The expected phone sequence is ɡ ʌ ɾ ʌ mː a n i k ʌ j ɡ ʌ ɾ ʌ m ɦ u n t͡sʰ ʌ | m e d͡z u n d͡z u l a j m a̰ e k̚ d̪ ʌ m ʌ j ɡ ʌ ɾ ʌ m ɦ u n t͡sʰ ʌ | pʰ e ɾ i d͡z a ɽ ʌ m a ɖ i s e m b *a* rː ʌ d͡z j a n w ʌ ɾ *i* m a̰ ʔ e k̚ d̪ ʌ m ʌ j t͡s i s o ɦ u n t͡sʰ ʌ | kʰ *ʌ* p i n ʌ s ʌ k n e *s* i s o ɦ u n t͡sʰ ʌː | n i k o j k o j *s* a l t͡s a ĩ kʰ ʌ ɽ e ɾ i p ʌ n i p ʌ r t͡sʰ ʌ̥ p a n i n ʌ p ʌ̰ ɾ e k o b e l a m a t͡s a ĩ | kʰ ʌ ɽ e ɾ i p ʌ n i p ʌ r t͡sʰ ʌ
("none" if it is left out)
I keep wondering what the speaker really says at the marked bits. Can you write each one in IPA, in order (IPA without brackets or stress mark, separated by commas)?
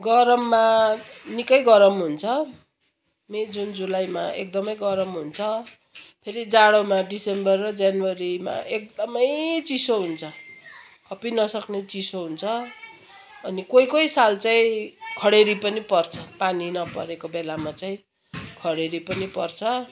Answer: ʌ, i, ʌ, t͡s, s